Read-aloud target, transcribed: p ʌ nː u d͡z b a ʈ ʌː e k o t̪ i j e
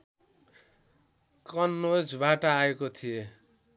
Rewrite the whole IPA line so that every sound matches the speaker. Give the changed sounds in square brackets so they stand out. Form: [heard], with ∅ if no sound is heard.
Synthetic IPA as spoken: [k] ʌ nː [o] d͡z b a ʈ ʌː e k o [t̪ʰ] i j e